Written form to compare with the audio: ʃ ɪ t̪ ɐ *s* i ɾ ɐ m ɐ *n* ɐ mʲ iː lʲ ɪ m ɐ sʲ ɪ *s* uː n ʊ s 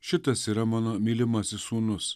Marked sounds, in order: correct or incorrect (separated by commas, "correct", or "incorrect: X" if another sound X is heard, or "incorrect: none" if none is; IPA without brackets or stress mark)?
correct, correct, correct